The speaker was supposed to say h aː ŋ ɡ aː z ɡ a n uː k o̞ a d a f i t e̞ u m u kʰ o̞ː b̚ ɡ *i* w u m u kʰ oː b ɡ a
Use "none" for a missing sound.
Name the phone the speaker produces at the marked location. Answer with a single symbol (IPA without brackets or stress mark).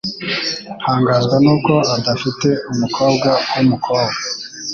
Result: a